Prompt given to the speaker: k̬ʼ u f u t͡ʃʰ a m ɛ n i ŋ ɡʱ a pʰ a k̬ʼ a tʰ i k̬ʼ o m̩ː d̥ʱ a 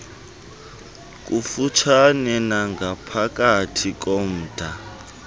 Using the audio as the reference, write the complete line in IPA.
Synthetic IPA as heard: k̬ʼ u f u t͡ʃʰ a n ɛ n a ŋ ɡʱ a pʰ a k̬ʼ a tʰ i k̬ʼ o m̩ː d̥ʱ a